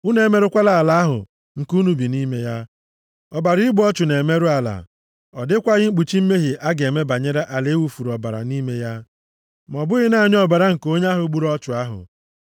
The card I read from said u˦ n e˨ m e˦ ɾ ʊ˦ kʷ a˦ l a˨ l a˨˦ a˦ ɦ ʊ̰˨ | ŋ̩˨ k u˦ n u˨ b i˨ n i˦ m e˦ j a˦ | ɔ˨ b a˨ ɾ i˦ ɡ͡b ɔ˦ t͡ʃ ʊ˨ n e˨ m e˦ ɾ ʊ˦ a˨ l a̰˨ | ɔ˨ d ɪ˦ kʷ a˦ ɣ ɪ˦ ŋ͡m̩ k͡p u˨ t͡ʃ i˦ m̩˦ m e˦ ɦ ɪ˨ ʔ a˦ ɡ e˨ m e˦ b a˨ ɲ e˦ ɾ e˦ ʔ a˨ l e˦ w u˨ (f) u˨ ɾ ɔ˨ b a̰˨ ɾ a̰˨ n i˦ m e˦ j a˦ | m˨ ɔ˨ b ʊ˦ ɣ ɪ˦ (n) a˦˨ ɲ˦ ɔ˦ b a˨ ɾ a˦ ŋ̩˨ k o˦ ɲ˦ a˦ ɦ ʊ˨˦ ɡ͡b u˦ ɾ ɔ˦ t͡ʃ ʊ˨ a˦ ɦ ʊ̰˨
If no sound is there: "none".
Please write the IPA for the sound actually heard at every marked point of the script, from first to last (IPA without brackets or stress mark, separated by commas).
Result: f, n